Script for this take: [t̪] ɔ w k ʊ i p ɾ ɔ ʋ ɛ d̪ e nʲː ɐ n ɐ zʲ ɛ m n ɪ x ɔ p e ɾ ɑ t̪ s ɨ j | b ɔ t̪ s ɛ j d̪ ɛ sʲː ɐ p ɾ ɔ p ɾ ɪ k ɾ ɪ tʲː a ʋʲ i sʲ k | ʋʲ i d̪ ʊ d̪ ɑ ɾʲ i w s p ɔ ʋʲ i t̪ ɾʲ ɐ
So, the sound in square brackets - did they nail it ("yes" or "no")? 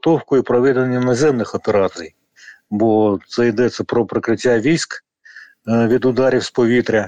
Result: yes